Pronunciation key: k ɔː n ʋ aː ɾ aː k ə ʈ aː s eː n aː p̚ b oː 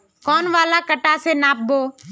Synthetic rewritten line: k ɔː n ʋ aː l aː k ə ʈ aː s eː n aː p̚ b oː